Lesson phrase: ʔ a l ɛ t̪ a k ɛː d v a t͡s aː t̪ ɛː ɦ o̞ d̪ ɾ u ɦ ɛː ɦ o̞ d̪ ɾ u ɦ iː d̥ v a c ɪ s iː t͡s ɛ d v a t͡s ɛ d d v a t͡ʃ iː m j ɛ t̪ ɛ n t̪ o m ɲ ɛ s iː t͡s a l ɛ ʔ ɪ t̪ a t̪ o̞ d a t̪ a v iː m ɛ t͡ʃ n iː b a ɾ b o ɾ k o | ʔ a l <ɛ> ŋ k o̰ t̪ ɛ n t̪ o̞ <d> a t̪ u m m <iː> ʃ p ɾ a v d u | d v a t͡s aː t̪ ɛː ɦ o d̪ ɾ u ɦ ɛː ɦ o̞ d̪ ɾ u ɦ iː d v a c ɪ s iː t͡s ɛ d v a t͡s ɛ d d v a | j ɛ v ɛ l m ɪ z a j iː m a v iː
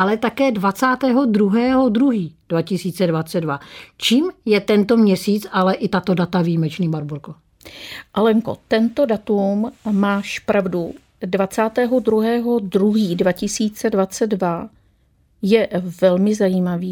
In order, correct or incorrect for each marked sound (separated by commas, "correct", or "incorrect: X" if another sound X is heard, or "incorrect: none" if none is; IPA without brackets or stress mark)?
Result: correct, correct, incorrect: aː